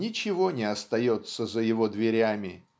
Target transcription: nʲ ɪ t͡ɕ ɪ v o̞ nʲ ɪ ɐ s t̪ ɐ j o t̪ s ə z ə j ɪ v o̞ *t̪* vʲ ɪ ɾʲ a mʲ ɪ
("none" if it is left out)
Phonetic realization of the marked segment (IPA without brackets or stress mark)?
d̪